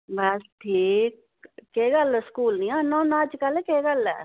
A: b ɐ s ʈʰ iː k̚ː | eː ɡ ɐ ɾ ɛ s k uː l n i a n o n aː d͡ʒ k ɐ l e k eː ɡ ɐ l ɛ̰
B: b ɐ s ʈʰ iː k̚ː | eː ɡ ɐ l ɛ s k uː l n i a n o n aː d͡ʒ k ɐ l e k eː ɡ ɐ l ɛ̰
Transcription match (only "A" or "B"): B